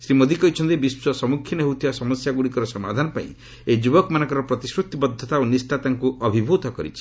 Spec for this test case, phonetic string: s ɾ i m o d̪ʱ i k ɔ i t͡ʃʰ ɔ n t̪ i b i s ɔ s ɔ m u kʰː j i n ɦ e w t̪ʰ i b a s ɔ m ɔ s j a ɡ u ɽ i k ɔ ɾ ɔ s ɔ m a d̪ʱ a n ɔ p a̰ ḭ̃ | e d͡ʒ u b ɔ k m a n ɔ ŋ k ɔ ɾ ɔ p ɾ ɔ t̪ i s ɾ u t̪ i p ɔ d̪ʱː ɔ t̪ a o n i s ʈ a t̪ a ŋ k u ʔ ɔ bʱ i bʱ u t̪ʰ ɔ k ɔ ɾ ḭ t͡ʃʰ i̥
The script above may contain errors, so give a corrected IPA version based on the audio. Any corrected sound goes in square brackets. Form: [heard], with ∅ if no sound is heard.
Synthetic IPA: s ɾ i m o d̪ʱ i k ɔ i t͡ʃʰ ɔ n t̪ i b i s ɔ s ɔ m u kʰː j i n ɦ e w t̪ʰ i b a s ɔ m ɔ s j a ɡ u ɽ i k ɔ ɾ ɔ s ɔ m a d̪ʱ a n ɔ p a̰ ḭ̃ | e d͡ʒ u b ɔ k m a n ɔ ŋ k ɔ ɾ ɔ p ɾ ɔ t̪ i s ɾ u t̪ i [b] ɔ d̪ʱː ɔ t̪ a o n i s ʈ a t̪ a ŋ k u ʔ ɔ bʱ i bʱ u [t̪] ɔ k ɔ ɾ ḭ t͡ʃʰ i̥